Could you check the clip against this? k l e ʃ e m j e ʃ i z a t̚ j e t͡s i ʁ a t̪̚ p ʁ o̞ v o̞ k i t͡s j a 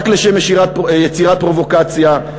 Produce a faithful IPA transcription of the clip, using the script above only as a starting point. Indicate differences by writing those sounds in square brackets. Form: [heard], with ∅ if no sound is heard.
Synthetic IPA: k l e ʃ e m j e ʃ i [ʁ] a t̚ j e t͡s i ʁ a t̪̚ p ʁ o̞ v o̞ k [a] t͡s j a